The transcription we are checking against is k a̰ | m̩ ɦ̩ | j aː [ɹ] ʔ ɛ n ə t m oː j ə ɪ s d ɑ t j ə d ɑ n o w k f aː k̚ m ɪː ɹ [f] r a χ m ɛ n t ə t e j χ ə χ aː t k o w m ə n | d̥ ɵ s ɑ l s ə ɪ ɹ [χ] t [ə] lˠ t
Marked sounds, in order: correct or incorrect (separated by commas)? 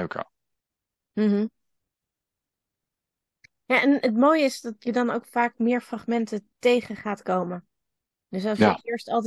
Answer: incorrect, correct, incorrect, incorrect